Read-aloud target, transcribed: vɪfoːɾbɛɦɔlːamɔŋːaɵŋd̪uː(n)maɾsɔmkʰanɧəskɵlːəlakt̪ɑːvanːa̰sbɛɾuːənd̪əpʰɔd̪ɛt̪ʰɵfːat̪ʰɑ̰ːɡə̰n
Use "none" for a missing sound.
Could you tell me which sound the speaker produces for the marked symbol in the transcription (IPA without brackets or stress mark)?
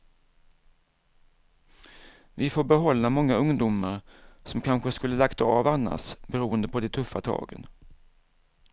none